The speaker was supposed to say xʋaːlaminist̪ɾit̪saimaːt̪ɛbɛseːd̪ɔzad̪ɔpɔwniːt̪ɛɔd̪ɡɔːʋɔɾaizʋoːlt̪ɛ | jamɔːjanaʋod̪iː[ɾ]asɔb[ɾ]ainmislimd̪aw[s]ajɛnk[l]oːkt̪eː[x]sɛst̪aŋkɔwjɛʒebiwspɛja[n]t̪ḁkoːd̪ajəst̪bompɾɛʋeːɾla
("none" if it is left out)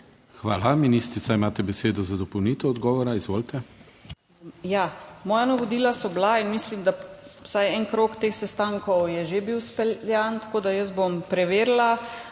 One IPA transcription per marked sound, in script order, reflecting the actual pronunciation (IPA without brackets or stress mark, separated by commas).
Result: l, l, s, ɾ, x, n